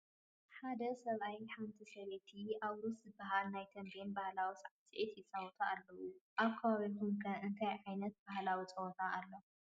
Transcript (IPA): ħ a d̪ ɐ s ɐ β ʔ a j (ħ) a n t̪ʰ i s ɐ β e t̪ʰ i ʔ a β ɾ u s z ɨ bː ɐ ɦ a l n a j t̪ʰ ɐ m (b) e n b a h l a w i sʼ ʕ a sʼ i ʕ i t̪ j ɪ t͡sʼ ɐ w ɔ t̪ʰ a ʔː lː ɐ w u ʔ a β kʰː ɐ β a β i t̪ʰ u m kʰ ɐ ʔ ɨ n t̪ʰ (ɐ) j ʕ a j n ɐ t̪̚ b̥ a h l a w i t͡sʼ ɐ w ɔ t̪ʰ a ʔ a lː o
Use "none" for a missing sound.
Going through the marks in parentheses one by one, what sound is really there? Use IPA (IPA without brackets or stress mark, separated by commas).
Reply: ħ, b, a